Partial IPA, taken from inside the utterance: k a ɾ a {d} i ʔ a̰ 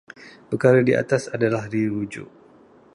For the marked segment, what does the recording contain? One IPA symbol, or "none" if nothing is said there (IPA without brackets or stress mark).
d